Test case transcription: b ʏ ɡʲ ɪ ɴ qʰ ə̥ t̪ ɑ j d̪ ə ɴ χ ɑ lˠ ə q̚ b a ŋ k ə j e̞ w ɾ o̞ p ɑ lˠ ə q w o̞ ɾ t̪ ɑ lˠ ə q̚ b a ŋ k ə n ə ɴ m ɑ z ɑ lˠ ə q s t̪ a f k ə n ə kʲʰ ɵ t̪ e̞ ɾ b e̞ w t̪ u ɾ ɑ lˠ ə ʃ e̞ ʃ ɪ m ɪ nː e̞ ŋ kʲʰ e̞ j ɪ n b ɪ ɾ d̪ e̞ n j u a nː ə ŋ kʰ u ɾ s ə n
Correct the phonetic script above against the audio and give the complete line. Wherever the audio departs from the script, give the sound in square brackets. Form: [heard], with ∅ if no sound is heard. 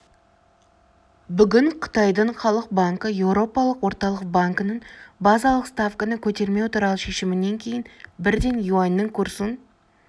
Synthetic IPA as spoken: b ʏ ɡʲ ɪ ɴ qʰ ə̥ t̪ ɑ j d̪ ə ɴ χ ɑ lˠ ə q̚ b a ŋ k ə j e̞ w ɾ o̞ p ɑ lˠ ə q w o̞ ɾ t̪ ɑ lˠ ə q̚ b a ŋ k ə n ə ɴ [b] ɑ z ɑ lˠ ə q s t̪ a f k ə n ə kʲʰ ɵ t̪ e̞ ɾ [m] e̞ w t̪ u ɾ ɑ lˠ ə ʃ e̞ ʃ ɪ m ɪ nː e̞ ŋ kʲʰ e̞ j ɪ n b ɪ ɾ d̪ e̞ n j u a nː ə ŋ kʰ u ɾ s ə n